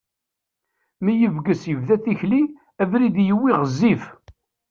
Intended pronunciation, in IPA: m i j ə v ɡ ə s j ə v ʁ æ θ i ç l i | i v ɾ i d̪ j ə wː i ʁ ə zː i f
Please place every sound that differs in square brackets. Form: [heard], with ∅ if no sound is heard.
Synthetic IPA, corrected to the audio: m i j ə v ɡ ə s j ə v [ð] æ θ i ç l i | [æ] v ɾ i d̪ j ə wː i ʁ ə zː i f